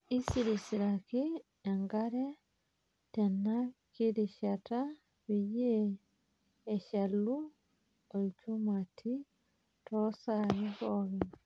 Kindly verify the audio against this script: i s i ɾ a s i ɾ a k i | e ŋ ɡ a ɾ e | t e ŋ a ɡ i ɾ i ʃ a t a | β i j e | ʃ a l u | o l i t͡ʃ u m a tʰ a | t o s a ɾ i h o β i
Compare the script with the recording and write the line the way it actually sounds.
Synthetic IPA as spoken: i s i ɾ i s i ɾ a k i | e ŋ ɡ a ɾ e | t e n a k i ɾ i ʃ a t a | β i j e | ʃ a l u | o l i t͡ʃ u m a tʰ i | t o s a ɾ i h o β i